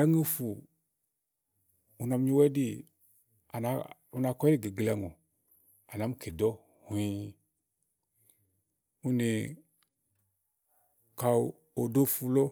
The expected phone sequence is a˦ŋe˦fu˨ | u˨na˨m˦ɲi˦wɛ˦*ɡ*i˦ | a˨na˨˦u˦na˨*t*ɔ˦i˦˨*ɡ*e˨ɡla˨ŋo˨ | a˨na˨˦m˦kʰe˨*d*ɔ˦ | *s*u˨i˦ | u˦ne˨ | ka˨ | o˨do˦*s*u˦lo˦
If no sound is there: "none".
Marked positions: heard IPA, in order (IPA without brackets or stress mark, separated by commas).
d, k, ɡ, d, h, f